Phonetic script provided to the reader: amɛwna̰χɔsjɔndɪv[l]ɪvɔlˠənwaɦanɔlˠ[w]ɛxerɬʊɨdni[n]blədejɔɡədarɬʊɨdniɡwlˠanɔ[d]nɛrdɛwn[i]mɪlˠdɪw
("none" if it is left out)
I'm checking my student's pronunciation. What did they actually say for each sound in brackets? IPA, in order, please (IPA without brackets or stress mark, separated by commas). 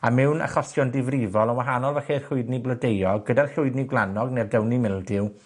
r, v, none, ɡ, i